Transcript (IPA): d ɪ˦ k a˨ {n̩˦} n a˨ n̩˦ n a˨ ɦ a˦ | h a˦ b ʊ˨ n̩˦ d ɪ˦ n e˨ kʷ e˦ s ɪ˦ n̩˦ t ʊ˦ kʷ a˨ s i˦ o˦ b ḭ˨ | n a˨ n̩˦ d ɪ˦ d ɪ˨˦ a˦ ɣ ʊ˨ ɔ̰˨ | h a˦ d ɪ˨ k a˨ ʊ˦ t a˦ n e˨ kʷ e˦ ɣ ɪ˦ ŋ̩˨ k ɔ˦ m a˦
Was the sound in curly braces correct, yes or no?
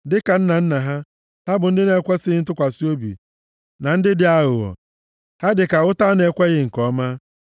yes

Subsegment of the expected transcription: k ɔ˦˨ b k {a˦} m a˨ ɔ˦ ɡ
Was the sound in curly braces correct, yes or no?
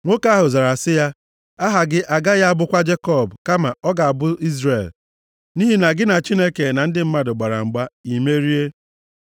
yes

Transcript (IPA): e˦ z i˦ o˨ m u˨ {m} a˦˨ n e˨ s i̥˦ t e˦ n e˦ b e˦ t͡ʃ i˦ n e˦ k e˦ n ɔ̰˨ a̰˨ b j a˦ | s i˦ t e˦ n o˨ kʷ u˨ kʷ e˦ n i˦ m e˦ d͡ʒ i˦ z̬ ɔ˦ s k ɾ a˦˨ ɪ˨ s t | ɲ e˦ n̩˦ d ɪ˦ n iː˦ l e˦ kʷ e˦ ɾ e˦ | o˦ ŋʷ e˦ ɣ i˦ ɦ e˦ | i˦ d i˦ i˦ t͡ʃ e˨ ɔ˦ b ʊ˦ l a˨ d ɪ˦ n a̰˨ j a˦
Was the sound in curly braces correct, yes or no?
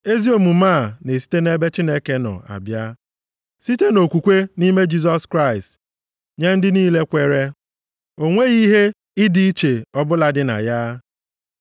yes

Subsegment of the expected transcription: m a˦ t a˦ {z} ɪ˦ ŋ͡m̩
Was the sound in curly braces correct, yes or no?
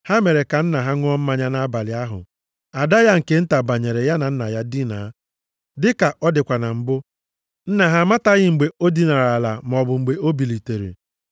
no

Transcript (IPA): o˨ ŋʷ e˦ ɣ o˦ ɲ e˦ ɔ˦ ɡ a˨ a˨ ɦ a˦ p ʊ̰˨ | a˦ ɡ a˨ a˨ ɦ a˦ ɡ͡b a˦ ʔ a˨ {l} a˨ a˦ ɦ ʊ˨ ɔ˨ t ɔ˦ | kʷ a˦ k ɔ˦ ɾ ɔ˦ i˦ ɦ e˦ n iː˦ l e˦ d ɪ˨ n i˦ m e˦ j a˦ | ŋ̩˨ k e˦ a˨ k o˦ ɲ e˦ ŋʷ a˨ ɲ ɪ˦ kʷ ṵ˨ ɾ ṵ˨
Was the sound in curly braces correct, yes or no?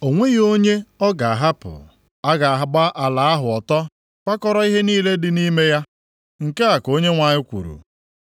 yes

